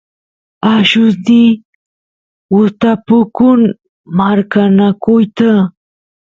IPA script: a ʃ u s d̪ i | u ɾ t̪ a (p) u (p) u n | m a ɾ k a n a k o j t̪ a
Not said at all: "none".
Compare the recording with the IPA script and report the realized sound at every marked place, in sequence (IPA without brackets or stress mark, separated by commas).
p, k